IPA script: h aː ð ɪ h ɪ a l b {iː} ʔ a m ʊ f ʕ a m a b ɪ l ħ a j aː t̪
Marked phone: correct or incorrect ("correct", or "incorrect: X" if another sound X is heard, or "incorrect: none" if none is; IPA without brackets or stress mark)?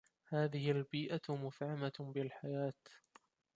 correct